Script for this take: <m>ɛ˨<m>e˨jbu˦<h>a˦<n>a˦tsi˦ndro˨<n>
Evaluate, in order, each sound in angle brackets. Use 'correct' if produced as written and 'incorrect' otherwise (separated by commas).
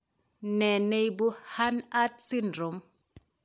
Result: incorrect, incorrect, correct, correct, incorrect